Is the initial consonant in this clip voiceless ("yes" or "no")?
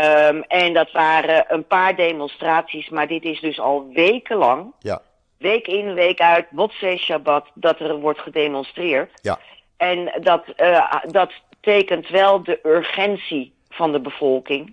no